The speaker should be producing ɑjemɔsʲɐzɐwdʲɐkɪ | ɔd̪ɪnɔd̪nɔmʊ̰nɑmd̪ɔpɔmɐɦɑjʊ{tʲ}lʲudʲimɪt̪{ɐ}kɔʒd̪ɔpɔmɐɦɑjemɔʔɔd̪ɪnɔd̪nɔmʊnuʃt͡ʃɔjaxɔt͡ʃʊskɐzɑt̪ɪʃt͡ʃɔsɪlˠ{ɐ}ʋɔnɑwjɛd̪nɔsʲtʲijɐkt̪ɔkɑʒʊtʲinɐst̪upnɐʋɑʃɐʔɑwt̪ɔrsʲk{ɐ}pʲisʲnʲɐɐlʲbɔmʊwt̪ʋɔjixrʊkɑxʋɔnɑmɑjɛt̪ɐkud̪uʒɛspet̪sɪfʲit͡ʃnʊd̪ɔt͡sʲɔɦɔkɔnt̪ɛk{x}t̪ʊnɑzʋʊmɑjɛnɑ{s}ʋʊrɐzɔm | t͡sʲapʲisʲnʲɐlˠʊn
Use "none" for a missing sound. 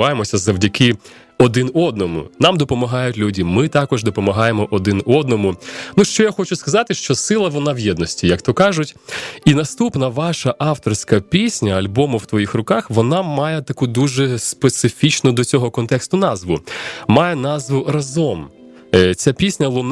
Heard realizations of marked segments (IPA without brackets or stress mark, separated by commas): tʲ, ɑ, ɐ, ɐ, s, z